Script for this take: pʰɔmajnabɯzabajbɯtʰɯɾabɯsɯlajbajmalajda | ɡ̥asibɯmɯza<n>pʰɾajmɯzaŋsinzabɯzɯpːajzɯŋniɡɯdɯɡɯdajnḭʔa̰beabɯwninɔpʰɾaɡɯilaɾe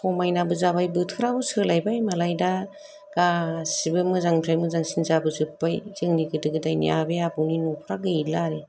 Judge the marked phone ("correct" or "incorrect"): incorrect